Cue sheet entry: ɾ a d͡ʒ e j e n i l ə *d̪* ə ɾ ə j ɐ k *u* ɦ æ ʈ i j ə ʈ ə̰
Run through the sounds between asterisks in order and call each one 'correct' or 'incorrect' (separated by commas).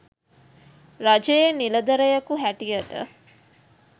correct, correct